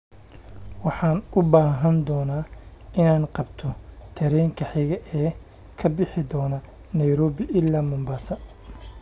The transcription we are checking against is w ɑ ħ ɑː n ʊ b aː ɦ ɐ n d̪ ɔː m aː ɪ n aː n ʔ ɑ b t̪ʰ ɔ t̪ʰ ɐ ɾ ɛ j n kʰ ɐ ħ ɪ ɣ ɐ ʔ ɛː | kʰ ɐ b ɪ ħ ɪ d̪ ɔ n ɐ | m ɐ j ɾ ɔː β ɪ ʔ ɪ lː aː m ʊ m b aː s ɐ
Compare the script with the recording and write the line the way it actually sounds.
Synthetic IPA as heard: w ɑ ħ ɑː n ʊ b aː ɦ ɐ n d̪ ɔː n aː ɪ n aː n q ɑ b t̪ʰ ɔ t̪ʰ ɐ ɾ ɛ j ŋ kʰ ɐ ħ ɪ ɣ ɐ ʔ ɛː | kʰ ɐ b ɪ ħ ɪ d̪ ɔː n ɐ | n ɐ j ɾ ɔː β ɪ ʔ ɪ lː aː m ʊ m b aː s ɐ